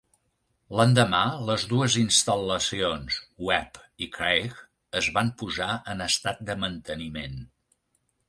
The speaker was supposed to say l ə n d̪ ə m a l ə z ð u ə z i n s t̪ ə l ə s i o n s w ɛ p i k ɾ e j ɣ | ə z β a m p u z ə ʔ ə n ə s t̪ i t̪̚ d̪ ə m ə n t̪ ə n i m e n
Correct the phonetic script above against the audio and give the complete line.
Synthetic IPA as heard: l ə n d̪ ə m a l ə z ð u ə z i n s t̪ ə l ə s i o n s w ɛ p i k ɾ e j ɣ | ə z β a m p u z a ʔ ə n ə s t̪ a t̪̚ d̪ ə m ə n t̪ ə n i m e n